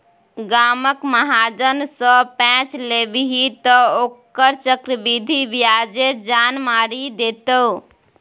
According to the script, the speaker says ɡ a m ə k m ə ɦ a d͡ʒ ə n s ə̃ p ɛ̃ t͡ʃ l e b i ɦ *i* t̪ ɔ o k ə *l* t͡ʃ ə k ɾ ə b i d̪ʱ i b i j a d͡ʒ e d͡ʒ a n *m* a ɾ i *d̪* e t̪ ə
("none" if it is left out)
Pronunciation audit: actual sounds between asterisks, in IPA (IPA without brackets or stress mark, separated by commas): i, ɾ, m, d̪